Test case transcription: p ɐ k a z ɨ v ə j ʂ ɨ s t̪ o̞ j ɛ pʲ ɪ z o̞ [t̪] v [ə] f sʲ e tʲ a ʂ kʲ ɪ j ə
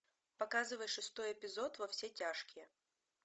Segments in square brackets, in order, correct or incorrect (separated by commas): correct, incorrect